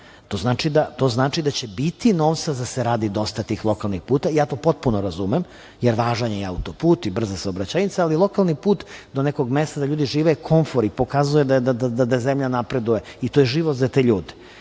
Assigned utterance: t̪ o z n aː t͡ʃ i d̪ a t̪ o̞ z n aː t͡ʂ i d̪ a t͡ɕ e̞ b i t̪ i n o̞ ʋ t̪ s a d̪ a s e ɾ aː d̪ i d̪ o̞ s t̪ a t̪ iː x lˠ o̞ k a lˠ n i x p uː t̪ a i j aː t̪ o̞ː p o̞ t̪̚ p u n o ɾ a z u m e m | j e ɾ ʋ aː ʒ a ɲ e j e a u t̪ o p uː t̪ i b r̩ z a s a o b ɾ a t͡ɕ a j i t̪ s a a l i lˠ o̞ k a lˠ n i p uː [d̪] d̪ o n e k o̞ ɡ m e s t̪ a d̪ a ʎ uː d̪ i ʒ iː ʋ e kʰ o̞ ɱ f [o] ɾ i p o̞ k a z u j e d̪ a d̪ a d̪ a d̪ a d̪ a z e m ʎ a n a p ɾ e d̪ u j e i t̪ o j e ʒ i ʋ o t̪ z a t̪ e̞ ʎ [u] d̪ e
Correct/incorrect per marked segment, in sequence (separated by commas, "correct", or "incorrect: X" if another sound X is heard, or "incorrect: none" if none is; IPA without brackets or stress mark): incorrect: t̪, correct, incorrect: uː